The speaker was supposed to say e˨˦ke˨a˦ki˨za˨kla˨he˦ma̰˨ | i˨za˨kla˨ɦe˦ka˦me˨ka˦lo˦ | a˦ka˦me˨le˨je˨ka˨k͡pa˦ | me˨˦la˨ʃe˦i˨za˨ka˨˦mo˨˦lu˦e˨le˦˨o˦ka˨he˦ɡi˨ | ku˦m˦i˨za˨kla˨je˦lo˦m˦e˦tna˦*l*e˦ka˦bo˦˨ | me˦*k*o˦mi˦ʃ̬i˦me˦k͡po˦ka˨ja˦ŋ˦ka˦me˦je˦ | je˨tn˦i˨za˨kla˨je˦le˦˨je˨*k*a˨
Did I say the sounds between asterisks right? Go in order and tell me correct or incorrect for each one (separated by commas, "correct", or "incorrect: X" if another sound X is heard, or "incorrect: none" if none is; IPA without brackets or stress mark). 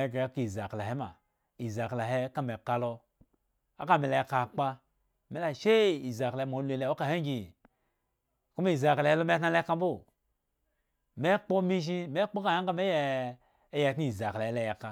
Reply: correct, incorrect: k͡p, correct